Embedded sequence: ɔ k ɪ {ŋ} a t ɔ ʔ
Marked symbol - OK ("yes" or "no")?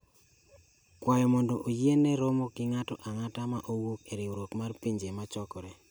yes